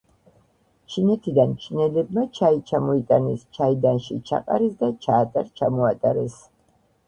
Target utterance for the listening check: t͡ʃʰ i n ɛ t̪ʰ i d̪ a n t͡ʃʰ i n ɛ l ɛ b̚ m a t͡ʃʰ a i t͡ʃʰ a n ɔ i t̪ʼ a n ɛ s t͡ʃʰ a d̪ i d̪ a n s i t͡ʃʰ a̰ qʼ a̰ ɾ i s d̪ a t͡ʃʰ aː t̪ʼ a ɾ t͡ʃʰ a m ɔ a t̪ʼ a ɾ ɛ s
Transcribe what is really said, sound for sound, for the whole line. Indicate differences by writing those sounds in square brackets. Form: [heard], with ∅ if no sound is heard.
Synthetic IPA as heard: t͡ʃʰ i n ɛ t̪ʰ i d̪ a n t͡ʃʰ i n ɛ l ɛ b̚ m a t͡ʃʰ a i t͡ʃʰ a [m] ɔ i t̪ʼ a n ɛ s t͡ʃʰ a [∅] i d̪ a n [ʃ] i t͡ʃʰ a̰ qʼ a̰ ɾ i s d̪ a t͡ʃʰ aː t̪ʼ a ɾ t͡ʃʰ a m ɔ a t̪ʼ a ɾ ɛ s